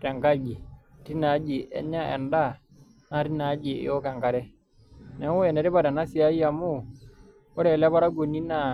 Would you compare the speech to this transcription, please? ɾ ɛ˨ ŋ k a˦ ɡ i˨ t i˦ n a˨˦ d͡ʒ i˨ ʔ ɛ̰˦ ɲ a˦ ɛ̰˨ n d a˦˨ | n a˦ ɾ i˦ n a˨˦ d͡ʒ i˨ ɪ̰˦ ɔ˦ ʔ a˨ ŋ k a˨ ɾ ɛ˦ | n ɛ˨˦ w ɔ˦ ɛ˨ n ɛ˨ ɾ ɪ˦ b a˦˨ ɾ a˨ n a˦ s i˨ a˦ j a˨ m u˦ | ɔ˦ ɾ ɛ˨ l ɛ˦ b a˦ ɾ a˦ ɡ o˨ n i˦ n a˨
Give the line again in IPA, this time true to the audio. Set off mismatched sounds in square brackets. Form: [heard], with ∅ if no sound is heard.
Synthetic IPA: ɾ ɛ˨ ŋ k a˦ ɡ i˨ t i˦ n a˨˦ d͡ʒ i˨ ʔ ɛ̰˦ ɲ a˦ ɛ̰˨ n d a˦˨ | n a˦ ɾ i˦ n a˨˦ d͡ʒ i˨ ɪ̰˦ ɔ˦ [k] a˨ ŋ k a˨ ɾ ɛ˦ | n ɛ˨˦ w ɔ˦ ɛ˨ n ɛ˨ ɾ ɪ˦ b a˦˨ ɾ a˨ n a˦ s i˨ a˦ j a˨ m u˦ | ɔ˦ ɾ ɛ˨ l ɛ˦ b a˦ ɾ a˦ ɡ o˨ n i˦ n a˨